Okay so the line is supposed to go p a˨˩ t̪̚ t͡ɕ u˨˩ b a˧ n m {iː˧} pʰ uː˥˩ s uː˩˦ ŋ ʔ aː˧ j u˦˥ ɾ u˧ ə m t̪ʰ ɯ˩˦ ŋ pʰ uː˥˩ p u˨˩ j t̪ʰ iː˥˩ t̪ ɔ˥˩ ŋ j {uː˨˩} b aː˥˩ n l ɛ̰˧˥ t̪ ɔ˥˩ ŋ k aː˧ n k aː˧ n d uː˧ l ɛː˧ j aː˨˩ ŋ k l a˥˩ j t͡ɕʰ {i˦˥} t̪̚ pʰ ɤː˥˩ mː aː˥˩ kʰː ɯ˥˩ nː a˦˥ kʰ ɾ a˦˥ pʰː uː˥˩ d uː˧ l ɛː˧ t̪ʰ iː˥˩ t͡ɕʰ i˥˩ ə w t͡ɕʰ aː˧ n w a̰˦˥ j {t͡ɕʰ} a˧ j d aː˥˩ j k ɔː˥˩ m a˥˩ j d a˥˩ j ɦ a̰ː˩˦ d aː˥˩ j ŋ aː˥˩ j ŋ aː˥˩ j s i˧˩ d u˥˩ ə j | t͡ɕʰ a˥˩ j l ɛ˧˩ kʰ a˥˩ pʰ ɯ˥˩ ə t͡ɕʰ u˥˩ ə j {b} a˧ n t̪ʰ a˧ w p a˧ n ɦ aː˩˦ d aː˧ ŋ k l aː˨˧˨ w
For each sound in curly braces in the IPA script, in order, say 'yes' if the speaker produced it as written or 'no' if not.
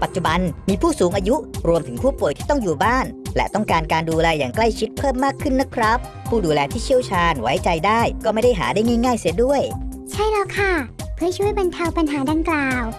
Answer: yes, yes, yes, no, yes

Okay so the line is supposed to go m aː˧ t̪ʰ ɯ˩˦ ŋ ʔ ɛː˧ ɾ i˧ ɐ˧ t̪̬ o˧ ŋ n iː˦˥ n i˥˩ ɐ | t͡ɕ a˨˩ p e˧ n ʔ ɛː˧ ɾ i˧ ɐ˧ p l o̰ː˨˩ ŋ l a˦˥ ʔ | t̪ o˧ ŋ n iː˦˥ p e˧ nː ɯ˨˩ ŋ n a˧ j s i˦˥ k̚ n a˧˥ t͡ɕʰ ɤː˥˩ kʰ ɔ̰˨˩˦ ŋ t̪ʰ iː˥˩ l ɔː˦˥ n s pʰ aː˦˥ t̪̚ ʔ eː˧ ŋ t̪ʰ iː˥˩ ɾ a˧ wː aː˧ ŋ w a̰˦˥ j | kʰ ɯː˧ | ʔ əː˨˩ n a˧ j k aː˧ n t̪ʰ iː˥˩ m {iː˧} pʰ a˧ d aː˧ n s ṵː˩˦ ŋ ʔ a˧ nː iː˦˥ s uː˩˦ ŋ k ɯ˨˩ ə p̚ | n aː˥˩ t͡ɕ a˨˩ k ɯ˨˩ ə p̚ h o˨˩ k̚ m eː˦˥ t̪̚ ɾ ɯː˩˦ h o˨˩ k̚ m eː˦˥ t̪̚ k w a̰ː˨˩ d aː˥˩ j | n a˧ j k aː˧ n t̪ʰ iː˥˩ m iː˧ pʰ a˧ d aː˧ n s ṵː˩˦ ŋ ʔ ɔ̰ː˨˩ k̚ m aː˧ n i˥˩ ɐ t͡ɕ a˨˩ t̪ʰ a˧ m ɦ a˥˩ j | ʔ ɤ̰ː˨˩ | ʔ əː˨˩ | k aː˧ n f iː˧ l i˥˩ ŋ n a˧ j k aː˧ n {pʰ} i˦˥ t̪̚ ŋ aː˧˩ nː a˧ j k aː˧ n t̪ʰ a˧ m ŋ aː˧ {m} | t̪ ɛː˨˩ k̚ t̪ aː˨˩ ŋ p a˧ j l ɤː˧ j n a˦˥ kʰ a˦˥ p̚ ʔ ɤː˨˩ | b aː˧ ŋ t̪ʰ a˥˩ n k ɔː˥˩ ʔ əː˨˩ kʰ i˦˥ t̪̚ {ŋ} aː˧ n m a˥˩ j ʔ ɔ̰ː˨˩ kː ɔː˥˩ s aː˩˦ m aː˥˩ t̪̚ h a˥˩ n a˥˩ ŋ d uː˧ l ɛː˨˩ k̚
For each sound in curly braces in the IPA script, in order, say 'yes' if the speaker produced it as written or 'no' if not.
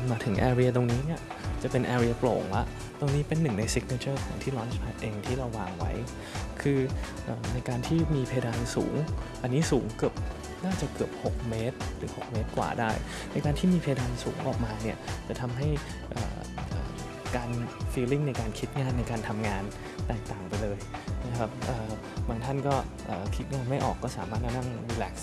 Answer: yes, no, no, yes

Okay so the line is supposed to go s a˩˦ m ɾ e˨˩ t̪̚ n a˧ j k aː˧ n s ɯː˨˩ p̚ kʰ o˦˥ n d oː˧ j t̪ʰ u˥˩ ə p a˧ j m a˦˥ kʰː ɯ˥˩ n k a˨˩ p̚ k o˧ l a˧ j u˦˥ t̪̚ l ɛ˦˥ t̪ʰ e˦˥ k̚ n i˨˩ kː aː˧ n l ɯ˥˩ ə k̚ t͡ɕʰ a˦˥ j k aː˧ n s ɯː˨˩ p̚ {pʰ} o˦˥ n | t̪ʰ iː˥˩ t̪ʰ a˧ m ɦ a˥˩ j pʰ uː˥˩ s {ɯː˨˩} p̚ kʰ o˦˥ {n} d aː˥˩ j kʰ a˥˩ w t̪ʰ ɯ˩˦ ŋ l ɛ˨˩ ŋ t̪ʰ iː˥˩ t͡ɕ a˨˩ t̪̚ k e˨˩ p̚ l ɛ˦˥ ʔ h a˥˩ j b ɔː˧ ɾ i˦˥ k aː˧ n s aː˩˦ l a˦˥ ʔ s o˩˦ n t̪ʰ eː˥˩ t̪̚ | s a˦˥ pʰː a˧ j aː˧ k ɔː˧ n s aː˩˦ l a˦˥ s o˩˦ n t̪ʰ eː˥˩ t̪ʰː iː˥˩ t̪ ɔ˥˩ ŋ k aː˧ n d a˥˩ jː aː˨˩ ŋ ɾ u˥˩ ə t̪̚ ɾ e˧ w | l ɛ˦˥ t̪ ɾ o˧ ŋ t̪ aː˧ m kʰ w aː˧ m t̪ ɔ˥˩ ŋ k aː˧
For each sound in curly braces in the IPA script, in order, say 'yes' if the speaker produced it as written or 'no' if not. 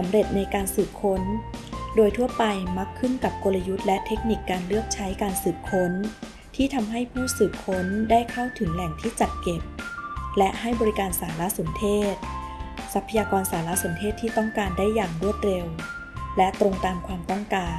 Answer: no, yes, yes

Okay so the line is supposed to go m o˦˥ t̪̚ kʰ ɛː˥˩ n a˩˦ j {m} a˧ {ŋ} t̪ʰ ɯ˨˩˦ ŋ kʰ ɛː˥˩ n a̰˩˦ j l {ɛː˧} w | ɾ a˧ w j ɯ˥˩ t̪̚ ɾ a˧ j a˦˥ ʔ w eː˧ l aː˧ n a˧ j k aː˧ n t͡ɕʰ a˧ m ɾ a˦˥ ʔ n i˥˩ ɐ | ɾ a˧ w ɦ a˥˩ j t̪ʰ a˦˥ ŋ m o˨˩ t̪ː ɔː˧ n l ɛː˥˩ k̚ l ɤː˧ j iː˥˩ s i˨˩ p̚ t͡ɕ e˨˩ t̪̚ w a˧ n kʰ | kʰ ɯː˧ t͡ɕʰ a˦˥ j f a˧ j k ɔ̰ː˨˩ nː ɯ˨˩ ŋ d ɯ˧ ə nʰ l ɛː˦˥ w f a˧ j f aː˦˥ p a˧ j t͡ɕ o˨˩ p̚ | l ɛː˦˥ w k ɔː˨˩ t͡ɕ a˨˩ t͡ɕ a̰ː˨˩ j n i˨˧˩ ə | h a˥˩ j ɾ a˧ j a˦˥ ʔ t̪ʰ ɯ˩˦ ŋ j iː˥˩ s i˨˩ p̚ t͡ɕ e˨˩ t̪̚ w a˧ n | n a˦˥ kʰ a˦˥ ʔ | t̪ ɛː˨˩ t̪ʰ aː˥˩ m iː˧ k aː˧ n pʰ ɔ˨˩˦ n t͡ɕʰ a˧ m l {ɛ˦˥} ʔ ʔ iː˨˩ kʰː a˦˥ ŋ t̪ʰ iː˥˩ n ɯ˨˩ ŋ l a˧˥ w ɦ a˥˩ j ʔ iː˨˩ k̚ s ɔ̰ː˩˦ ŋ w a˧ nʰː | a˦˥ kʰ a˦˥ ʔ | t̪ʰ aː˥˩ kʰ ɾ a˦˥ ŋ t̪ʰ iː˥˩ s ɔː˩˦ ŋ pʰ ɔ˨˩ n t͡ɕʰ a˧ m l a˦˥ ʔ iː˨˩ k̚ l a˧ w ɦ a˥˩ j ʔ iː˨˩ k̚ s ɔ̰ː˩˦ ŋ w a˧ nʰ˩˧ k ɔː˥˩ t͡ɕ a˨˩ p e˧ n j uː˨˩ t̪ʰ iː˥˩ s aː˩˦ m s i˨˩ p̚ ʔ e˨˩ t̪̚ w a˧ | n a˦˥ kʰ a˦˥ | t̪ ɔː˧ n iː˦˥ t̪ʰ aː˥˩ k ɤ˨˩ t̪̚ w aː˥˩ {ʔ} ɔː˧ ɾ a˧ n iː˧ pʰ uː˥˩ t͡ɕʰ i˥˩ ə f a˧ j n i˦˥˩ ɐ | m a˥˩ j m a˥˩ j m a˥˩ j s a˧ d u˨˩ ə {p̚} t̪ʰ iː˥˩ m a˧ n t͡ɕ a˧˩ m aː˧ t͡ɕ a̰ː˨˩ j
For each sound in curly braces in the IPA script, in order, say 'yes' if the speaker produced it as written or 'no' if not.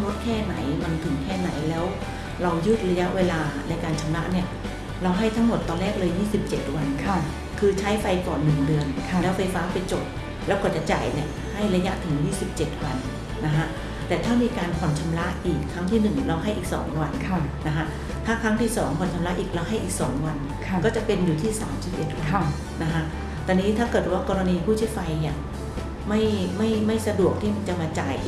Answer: yes, no, no, no, no, no

